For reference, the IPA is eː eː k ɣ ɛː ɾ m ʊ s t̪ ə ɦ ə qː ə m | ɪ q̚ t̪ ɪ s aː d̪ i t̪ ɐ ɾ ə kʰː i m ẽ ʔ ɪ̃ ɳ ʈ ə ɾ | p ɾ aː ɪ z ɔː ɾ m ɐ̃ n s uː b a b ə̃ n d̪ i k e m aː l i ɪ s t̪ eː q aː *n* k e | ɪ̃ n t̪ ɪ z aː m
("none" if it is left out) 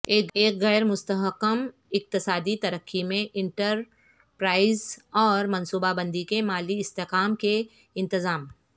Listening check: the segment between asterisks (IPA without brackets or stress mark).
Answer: m